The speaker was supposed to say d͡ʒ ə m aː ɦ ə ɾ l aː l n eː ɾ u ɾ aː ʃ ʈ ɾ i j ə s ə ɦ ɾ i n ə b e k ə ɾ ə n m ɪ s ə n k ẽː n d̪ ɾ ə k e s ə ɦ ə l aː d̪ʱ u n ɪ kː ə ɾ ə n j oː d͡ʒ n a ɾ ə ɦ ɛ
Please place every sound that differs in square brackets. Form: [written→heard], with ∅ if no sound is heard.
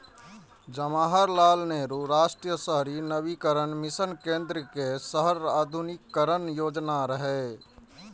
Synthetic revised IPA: d͡ʒ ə m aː ɦ ə ɾ l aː l n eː ɾ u ɾ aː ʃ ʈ ɾ i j ə s ə ɦ ɾ i n ə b [e→i] k ə ɾ ə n m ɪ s ə n k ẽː n d̪ ɾ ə k e s ə ɦ ə [l→ɾ] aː d̪ʱ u n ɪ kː ə ɾ ə n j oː d͡ʒ n a ɾ ə ɦ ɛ